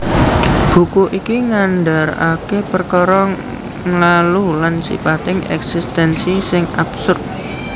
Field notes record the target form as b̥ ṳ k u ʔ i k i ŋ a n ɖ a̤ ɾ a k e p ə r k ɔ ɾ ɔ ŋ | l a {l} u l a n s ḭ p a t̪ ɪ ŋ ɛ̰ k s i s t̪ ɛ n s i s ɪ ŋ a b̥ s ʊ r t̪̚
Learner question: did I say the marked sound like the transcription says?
yes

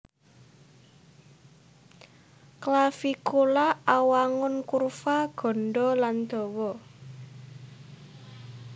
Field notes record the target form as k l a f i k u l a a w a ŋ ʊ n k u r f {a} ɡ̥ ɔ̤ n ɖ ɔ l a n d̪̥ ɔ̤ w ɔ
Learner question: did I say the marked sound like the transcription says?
yes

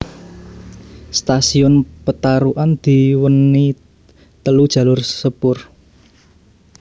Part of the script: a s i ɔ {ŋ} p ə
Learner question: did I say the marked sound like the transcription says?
no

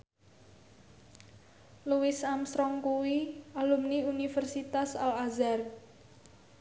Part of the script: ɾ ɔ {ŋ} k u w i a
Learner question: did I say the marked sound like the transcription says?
yes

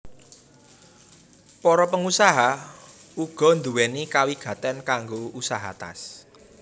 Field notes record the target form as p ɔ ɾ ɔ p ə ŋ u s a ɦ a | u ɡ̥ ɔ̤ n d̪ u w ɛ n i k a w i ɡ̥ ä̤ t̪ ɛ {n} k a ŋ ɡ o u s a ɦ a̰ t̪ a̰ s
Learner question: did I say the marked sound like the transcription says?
yes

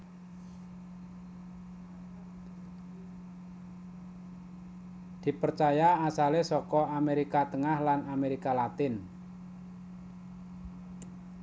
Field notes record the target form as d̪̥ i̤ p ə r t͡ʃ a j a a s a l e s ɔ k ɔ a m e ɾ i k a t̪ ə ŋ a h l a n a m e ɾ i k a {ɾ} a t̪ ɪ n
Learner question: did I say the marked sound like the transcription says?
no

